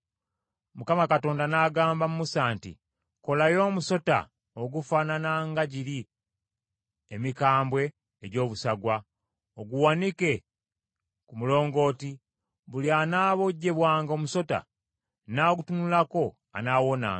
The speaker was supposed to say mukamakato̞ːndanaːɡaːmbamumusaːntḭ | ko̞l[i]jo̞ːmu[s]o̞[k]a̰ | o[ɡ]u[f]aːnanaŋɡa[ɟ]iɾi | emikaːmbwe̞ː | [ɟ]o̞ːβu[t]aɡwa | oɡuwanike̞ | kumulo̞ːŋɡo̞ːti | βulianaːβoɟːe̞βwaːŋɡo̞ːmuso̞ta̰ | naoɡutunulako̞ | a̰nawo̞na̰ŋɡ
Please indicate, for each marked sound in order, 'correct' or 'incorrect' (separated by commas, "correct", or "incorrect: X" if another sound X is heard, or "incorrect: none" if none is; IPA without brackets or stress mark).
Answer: incorrect: a, correct, incorrect: t, correct, correct, correct, correct, incorrect: s